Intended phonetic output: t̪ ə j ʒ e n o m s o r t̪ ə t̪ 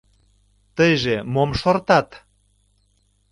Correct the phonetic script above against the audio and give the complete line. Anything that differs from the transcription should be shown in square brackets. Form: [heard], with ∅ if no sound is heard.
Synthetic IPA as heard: t̪ ə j ʒ e [m] o m [ʃ] o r t̪ [ɑ] t̪